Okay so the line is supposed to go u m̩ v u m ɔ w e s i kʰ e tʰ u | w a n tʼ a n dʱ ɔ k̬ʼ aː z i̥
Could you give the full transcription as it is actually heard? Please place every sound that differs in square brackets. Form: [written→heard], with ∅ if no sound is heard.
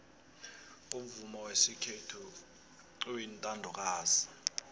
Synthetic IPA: u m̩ v u m ɔ w e s i kʰ e tʰ u | w [a→i] n tʼ a n dʱ ɔ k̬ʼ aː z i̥